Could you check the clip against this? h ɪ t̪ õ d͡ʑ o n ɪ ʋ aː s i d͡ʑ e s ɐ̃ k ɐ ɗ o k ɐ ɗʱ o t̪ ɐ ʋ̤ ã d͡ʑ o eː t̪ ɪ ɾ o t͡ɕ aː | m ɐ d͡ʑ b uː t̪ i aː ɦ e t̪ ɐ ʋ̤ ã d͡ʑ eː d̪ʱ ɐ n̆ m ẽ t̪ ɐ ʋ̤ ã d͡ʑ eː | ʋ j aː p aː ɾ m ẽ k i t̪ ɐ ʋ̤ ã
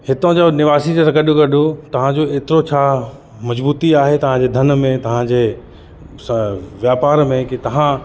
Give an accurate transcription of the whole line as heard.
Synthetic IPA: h ɪ t̪ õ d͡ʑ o n ɪ ʋ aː s i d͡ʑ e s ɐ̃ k ɐ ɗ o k ɐ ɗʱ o t̪ ɐ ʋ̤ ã d͡ʑ o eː t̪ ɪ ɾ o t͡ɕʰ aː | m ɐ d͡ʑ b uː t̪ i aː ɦ e t̪ ɐ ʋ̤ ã d͡ʑ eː d̪ʱ ɐ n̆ m ẽ t̪ ɐ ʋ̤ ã d͡ʑ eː | ʋ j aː p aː ɾ m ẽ k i t̪ ɐ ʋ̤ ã